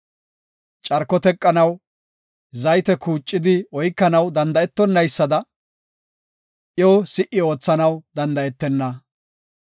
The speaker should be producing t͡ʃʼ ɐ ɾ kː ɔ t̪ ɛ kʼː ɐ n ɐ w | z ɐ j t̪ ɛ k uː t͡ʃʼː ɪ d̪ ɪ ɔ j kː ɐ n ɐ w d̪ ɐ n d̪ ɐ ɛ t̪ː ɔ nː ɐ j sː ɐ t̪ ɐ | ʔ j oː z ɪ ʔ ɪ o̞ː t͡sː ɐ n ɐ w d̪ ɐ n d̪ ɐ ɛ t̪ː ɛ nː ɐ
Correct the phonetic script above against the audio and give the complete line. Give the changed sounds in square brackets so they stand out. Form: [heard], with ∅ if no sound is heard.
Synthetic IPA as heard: t͡ʃʼ ɐ ɾ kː ɔ t̪ ɛ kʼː ɐ n ɐ w | z ɐ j t̪ ɛ k uː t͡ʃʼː ɪ d̪ ɪ ɔ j kː ɐ n ɐ w d̪ ɐ n d̪ ɐ ɛ t̪ː ɔ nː ɐ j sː ɐ [d̪] ɐ | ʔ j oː [s] ɪ ʔ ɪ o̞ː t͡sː ɐ n ɐ w d̪ ɐ n d̪ ɐ ɛ t̪ː ɛ nː ɐ

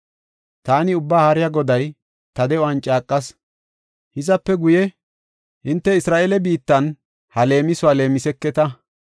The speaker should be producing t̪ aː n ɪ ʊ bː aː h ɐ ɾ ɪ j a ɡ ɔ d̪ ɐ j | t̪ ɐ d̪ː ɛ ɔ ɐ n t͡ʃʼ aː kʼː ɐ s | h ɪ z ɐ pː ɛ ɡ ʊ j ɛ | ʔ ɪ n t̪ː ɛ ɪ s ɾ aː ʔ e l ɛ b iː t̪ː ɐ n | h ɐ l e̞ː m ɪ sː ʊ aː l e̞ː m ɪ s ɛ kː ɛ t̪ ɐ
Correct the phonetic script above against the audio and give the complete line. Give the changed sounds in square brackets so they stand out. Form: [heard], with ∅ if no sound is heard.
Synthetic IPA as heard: t̪ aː n ɪ ʊ bː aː h ɐ ɾ ɪ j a ɡ ɔ d̪ ɐ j | t̪ ɐ [d̪] ɛ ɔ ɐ n t͡ʃʼ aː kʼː ɐ s | h ɪ z ɐ pː ɛ ɡ ʊ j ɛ | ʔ ɪ n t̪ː ɛ ɪ s ɾ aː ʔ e l ɛ b iː t̪ː ɐ n | h ɐ l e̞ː m ɪ [s] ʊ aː l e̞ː m ɪ s ɛ kː ɛ t̪ ɐ

